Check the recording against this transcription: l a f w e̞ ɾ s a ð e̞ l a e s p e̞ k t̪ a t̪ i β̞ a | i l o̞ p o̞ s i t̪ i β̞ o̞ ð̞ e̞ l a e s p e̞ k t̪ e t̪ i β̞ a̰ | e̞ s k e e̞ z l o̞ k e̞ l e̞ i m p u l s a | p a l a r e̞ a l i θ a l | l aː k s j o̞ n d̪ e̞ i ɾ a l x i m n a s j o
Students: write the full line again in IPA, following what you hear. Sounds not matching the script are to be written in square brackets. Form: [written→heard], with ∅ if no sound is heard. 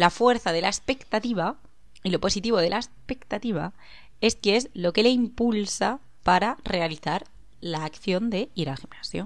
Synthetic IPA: l a f w e̞ ɾ [s→θ] a ð e̞ l a e s p e̞ k t̪ a t̪ i β̞ a | i l o̞ p o̞ s i t̪ i β̞ o̞ ð̞ e̞ l a e s p e̞ k t̪ [e→a] t̪ i β̞ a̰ | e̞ s k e e̞ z l o̞ k e̞ l e̞ i m p u l s a | p a [l→ɾ] a r e̞ a l i θ a [l→ɾ] | l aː k [s→θ] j o̞ n d̪ e̞ i ɾ a l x i m n a s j o